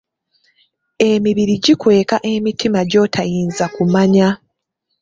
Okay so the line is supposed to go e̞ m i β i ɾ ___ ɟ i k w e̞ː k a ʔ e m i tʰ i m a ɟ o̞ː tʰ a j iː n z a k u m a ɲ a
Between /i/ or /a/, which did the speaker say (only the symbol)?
i